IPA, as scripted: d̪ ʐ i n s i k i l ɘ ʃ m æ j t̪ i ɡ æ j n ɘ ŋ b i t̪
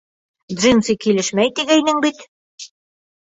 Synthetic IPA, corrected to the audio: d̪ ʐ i n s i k i l ɘ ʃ m æ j t̪ i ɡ æ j n ɘ ŋ b i t̪